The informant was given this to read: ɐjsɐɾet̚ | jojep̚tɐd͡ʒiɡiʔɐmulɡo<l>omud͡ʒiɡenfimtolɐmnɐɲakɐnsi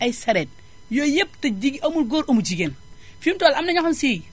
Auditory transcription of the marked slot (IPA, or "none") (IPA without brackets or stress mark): ɾ